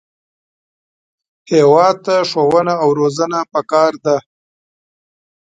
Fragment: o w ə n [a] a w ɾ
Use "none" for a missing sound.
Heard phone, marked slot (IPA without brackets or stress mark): a